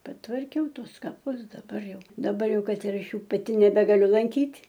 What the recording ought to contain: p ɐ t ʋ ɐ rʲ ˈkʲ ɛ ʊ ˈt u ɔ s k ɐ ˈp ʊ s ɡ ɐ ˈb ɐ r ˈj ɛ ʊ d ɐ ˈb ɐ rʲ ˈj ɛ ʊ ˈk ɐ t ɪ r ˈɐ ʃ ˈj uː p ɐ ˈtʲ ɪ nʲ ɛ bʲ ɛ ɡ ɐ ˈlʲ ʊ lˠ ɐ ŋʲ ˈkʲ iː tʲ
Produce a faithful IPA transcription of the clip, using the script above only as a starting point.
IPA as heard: p ɐ t ʋ ɐ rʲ ˈkʲ ɛ ʊ ˈt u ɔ s k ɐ ˈp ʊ s d ɐ ˈb ɐ r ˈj ɛ ʊ d ɐ ˈb ɐ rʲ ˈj ɛ ʊ ˈk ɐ t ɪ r ˈɐ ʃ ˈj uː p ɐ ˈtʲ ɪ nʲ ɛ bʲ ɛ ɡ ɐ ˈlʲ ʊ lˠ ɐ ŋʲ ˈkʲ iː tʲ